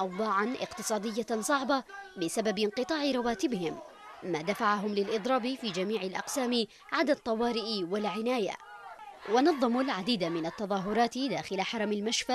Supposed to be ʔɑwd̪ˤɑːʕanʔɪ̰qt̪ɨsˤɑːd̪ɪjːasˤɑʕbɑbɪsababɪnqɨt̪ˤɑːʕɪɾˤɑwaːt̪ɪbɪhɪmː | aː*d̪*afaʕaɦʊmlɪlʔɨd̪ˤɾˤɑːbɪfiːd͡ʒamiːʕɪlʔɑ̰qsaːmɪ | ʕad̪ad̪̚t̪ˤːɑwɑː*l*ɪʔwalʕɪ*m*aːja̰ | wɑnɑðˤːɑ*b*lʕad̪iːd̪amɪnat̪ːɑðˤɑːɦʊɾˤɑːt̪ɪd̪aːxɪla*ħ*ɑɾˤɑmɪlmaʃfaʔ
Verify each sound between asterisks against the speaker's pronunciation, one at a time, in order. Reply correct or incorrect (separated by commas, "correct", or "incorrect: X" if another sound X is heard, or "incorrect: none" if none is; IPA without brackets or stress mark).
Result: correct, incorrect: ɾ, incorrect: n, incorrect: m, correct